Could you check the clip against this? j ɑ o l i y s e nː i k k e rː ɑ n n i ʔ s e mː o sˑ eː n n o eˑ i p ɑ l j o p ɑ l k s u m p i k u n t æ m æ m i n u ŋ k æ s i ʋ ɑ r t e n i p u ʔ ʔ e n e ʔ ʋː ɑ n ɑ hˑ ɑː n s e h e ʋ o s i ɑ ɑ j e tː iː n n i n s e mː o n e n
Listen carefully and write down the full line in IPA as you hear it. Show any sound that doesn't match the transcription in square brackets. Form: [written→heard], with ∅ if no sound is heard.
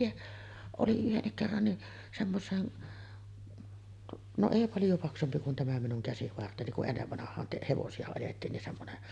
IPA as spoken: j ɑ o l i y [s→h] e nː i k k e rː ɑ n n i ʔ s e mː o sˑ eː n n o eˑ i p ɑ l j o p ɑ [l→∅] k s u m p i k u n t æ m æ m i n u ŋ k æ s i ʋ ɑ r t e n i [p→k] u ʔ ʔ e [n→nː] e [ʔ→∅] ʋː ɑ n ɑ hˑ ɑː n [s→t] e h e ʋ o s i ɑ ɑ j e tː iː n n i n s e mː o n e n